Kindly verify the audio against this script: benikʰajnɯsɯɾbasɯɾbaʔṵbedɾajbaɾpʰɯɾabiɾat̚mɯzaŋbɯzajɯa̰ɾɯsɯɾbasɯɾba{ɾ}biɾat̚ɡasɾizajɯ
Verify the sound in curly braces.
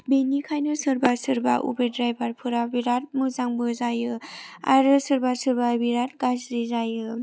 incorrect: none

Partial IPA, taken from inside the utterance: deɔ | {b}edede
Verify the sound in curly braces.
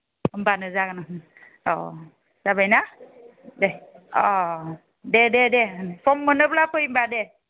incorrect: d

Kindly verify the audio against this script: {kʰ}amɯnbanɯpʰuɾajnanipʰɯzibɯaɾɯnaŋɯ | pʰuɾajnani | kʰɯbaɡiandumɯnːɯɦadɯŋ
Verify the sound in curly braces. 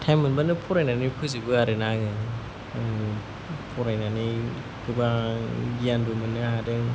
incorrect: tʰ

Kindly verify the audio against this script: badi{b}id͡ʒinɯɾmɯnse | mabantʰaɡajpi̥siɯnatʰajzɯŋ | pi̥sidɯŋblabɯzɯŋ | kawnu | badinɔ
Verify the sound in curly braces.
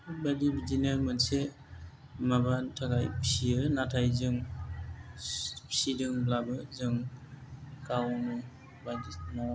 correct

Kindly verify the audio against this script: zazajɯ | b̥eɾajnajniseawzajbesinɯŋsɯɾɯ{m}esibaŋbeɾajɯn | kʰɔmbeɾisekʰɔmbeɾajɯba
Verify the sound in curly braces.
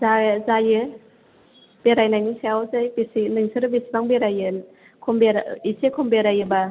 incorrect: b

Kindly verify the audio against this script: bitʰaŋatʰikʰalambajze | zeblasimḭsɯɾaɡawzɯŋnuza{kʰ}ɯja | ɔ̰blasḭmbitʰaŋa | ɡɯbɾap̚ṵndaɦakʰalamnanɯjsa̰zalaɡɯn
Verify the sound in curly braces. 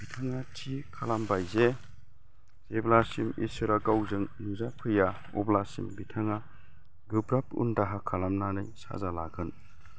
incorrect: pʰ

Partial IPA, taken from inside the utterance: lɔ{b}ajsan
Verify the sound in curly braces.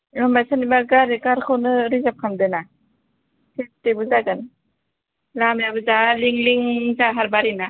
incorrect: m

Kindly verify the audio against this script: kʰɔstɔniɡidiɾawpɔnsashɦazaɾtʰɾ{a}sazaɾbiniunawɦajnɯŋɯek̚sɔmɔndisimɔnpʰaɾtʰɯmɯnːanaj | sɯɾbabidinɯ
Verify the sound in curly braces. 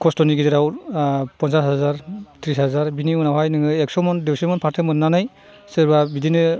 incorrect: i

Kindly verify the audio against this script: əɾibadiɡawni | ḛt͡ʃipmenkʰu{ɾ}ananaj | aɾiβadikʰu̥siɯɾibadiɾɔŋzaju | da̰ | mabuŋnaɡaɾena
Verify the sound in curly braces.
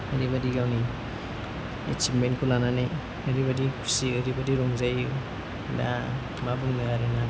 incorrect: l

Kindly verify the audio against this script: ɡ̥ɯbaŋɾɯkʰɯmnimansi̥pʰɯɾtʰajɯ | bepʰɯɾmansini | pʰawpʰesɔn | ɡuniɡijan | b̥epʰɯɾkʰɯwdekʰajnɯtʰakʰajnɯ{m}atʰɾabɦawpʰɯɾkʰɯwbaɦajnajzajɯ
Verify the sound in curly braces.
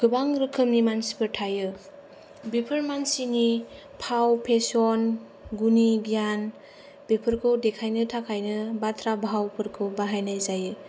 incorrect: b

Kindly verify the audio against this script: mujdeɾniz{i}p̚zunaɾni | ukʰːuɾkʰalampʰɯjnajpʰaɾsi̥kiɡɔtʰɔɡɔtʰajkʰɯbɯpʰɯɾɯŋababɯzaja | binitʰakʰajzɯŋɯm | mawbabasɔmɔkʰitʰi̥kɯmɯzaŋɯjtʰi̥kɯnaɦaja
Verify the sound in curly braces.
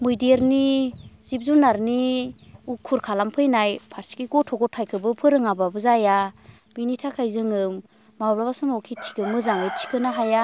correct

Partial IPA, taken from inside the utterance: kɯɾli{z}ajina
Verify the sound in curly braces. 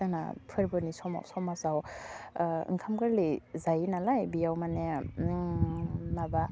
correct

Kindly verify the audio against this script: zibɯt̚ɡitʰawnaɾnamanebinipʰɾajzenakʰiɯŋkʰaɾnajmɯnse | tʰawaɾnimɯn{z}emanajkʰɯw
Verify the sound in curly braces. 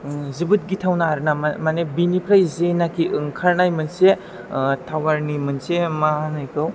incorrect: s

